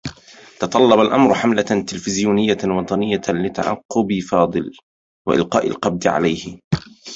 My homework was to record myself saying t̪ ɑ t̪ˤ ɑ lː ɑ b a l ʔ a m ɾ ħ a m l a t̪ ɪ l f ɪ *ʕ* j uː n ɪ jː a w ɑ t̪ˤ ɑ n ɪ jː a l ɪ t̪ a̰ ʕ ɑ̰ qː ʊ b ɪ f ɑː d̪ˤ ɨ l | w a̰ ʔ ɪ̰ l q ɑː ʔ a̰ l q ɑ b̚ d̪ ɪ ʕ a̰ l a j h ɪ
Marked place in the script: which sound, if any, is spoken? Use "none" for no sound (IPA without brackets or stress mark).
z